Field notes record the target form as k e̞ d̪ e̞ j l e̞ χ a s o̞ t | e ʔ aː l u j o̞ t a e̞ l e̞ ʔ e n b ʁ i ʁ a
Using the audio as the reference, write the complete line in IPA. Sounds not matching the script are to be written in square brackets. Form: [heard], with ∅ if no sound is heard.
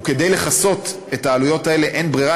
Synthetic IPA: k e̞ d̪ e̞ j l e̞ χ a s o̞ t | e [t] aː l u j o̞ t a e̞ l e̞ ʔ e n b ʁ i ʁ a